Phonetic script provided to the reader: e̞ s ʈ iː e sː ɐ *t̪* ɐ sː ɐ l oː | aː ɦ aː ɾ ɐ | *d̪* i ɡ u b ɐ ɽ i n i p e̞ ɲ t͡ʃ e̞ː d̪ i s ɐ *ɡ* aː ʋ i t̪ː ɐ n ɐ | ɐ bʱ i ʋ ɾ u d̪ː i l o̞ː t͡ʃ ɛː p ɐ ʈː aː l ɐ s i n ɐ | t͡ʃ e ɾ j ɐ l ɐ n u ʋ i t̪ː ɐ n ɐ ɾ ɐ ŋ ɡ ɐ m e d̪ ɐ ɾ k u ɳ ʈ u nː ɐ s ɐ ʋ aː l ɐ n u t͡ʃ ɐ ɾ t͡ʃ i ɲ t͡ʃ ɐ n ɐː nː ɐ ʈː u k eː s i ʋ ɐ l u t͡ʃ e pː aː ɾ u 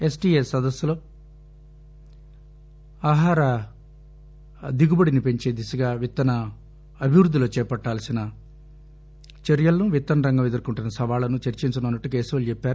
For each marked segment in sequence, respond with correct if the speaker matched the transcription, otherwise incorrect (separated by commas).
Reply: incorrect, correct, correct